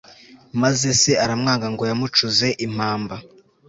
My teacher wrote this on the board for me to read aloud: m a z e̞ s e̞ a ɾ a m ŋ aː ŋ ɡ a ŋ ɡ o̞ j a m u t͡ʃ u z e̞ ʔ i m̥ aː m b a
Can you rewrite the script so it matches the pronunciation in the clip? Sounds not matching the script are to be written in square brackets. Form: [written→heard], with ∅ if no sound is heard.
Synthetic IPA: m a z e̞ s e̞ a ɾ a m ŋ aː ŋ ɡ a ŋ ɡ o̞ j a m u t͡ʃ u z e̞ ʔ i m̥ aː m b a

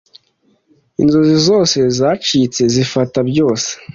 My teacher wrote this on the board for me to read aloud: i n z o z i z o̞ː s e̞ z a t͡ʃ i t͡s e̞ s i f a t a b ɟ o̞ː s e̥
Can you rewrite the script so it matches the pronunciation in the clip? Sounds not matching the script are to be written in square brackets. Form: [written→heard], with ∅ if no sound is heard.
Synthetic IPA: i n z o z i z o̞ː s e̞ z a t͡ʃ i t͡s e̞ [s→z] i f a t a b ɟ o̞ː s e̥

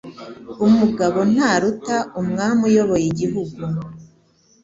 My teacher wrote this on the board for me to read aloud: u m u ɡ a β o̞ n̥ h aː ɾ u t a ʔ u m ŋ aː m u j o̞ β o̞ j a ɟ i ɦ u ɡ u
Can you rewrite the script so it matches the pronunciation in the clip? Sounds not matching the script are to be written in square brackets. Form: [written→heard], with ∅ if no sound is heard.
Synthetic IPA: u m u ɡ a β o̞ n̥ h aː ɾ u t a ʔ u m ŋ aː m u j o̞ β o̞ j [a→i] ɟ i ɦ u ɡ u

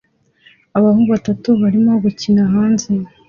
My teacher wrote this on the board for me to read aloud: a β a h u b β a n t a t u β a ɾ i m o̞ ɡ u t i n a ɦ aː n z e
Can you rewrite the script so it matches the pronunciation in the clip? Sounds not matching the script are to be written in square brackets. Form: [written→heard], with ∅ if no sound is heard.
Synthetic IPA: a β a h u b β a [n→∅] t a t u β a ɾ i m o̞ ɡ u [t→c] i n a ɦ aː n z e

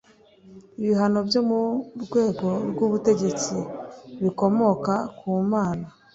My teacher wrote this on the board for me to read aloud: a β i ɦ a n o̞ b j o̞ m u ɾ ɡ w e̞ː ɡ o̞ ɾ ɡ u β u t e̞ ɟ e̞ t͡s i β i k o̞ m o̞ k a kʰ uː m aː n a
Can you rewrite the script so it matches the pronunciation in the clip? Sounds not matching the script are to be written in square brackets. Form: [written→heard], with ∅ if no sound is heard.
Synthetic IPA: [a→i] β i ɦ a n o̞ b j o̞ m u ɾ ɡ w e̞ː ɡ o̞ ɾ ɡ u β u t e̞ ɟ e̞ t͡s i β i k o̞ m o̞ k a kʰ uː m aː n a

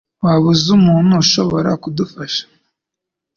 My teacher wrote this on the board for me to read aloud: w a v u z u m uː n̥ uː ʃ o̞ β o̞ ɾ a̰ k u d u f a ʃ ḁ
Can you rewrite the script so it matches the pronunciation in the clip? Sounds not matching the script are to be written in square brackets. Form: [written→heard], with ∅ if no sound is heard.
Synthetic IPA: w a [v→β] u z u m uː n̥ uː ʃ o̞ β o̞ ɾ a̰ k u d u f a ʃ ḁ

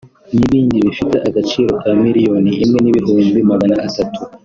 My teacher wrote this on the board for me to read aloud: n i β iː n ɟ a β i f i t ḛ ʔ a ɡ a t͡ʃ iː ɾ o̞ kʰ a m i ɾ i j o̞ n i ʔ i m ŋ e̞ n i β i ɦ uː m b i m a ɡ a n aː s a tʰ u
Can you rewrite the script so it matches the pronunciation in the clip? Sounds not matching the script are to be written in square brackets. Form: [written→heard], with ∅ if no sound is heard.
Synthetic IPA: n i β iː n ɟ [a→i] β i f i t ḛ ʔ a ɡ a t͡ʃ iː ɾ o̞ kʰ a m i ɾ i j o̞ n i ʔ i m ŋ e̞ n i β i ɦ uː m b i m a ɡ a n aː s a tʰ u

